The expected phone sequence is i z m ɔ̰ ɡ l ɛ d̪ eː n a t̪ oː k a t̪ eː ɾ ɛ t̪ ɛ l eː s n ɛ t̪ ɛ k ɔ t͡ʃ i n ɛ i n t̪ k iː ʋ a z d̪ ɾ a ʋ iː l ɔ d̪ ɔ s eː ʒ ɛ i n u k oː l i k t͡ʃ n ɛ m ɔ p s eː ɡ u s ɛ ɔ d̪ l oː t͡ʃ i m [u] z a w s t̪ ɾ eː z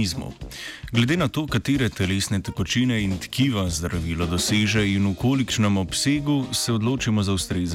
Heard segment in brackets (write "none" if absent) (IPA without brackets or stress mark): ɔ